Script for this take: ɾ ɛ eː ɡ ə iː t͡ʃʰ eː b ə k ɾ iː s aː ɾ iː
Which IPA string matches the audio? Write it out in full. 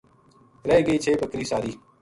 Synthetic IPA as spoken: ɾ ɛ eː ɡ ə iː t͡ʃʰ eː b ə k ɾ iː s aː ɾ iː